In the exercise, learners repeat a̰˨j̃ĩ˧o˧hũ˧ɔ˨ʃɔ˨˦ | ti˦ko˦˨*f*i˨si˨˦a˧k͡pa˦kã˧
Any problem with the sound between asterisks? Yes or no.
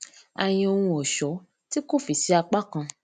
no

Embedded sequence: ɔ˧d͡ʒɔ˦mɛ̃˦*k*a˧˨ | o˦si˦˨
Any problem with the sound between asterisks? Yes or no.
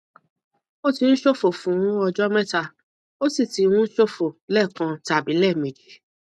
yes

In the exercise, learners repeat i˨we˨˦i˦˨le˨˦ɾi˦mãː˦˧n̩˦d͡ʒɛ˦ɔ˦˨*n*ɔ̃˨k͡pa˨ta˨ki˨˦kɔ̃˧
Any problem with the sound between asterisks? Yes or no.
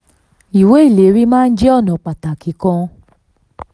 no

